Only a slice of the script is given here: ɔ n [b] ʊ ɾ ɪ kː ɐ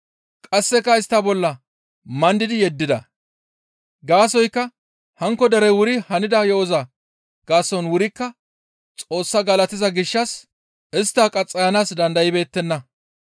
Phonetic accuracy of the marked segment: incorrect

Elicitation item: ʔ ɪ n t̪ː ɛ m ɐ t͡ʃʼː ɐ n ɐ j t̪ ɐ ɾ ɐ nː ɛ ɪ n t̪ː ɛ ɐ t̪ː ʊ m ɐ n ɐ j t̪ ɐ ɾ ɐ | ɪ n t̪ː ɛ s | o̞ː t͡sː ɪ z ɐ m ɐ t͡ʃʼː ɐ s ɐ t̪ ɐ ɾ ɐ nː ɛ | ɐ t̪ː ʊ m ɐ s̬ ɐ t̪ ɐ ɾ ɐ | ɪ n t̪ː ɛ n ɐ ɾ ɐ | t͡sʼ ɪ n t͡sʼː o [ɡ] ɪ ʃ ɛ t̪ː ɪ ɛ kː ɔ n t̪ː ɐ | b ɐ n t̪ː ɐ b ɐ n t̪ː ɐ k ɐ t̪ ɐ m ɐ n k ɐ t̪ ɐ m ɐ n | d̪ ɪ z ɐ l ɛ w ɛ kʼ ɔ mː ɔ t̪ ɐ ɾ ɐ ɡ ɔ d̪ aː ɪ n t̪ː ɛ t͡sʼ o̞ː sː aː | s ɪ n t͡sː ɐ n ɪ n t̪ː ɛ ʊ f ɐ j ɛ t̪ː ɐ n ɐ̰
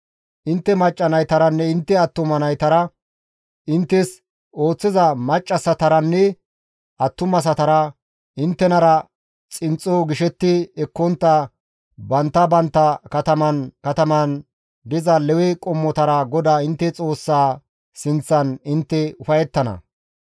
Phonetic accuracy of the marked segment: correct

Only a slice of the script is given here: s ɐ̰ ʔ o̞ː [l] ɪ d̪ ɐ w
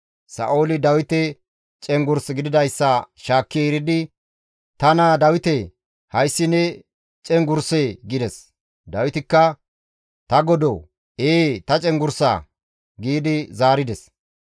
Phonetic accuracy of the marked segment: correct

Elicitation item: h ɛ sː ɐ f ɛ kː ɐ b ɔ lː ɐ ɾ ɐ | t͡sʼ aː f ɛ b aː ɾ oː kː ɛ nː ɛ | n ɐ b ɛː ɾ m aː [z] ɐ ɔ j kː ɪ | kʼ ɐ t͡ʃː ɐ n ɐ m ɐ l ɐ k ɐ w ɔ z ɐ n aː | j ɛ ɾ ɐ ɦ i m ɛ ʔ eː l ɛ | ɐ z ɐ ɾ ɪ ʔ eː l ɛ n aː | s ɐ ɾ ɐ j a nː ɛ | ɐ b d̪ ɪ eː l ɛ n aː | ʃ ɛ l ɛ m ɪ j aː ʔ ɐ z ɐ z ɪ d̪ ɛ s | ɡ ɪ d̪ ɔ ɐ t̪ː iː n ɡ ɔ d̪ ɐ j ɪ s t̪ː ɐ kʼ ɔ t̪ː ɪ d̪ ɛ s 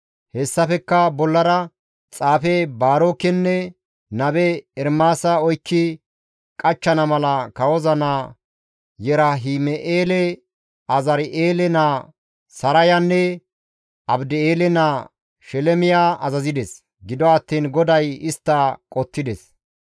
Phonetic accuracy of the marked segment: incorrect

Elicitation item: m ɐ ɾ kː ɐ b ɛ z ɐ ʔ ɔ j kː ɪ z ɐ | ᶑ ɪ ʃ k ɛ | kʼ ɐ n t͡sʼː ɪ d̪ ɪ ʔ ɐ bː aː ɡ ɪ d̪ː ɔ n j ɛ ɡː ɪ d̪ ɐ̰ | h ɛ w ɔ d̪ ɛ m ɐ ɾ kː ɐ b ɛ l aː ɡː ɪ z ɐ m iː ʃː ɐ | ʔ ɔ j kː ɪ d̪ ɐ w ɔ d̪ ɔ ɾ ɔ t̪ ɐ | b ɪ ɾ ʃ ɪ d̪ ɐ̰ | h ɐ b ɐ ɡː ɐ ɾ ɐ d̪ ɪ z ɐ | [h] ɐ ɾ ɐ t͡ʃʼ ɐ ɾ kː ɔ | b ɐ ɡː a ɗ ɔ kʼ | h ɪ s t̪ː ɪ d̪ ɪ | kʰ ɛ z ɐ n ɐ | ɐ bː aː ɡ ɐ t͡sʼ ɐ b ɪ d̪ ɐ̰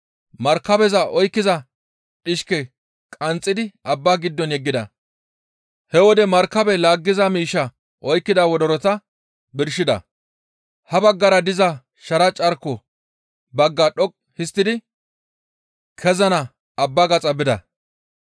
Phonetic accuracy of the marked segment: incorrect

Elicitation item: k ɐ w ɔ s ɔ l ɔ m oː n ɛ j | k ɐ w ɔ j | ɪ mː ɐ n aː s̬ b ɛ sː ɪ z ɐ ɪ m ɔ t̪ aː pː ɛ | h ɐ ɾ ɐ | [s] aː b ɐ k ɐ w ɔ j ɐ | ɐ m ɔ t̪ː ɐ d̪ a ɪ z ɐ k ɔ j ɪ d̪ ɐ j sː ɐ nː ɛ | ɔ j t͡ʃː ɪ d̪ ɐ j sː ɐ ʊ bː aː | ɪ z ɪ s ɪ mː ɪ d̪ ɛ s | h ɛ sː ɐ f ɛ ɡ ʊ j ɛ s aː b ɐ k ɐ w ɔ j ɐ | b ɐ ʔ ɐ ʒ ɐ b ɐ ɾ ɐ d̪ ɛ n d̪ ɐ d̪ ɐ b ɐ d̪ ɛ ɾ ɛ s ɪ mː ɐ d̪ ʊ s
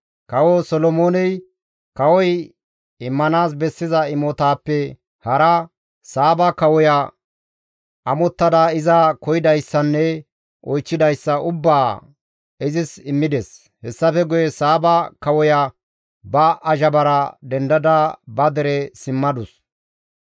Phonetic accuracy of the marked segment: correct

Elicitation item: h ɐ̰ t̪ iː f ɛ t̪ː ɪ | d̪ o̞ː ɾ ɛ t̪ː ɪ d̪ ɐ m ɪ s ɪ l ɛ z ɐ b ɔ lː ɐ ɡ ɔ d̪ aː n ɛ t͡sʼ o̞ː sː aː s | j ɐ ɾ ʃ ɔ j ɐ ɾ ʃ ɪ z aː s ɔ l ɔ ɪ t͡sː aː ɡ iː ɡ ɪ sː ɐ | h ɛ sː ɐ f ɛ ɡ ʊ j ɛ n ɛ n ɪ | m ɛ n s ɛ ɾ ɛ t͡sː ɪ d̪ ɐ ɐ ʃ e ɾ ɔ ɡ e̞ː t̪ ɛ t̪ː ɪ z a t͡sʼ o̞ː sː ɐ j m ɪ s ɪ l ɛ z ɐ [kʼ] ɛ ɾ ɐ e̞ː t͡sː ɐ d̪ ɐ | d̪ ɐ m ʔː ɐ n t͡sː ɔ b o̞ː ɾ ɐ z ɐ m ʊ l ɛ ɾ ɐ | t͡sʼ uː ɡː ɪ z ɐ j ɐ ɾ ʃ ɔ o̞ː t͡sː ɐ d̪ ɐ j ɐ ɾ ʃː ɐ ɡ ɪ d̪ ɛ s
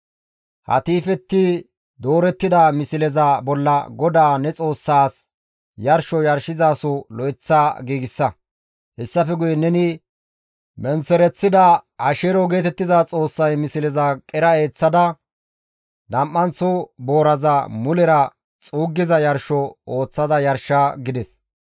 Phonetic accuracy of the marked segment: correct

